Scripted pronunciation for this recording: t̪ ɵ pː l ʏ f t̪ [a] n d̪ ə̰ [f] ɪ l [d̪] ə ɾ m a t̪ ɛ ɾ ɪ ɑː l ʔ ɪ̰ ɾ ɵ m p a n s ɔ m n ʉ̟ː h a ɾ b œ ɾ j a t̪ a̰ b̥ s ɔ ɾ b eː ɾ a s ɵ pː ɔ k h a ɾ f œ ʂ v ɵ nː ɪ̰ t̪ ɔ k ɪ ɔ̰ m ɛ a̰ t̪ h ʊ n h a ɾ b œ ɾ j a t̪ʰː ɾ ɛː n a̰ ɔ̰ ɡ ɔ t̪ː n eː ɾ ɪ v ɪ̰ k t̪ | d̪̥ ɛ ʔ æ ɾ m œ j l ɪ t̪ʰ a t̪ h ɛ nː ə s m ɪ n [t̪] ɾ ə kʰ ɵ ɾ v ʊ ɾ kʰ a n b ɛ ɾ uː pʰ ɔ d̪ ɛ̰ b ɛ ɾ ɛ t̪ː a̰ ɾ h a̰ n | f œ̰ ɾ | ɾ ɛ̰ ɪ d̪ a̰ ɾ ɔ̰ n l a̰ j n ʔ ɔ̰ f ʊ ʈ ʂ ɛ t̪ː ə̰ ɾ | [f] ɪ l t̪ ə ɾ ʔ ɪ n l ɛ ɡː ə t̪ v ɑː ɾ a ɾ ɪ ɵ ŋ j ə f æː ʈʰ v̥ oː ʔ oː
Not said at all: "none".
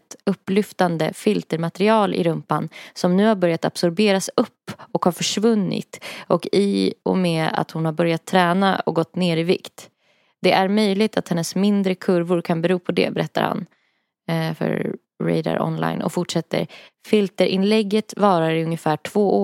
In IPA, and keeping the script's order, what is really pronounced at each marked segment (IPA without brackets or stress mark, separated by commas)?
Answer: a, f, t̪, d̪, f